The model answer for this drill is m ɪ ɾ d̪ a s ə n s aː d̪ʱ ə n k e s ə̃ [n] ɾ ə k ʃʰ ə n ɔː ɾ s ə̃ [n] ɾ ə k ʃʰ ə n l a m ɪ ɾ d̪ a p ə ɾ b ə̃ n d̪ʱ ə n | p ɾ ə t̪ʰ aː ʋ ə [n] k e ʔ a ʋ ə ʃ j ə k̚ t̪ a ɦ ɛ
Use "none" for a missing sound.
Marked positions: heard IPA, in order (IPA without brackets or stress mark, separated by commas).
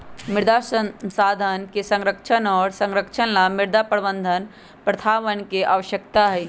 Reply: ŋ, ŋ, n